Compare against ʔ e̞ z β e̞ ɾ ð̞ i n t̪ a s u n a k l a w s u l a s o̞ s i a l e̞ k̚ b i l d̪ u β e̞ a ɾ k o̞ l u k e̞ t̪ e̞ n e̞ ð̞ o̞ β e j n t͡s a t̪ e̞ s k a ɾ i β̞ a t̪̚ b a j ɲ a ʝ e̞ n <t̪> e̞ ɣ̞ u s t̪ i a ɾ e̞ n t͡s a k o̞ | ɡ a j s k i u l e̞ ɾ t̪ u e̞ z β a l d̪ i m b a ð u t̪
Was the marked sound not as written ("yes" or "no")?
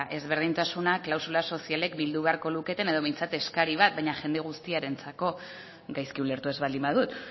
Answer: yes